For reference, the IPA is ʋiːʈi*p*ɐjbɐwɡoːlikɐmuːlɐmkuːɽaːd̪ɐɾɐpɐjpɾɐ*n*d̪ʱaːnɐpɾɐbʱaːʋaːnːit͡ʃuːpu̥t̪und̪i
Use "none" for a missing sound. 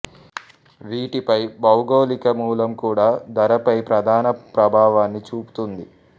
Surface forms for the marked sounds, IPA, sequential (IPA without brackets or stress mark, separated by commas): p, none